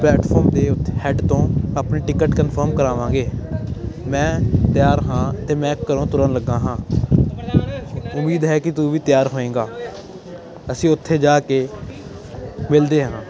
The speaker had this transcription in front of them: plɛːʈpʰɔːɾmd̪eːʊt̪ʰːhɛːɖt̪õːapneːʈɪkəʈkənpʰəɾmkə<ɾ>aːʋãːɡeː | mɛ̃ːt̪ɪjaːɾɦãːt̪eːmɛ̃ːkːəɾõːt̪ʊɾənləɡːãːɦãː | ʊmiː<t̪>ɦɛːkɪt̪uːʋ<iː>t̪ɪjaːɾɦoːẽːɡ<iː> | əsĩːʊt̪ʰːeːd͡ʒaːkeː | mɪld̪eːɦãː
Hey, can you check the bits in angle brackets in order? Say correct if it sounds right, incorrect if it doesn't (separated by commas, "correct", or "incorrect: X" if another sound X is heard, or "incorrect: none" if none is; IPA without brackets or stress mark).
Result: correct, incorrect: d̪, correct, incorrect: aː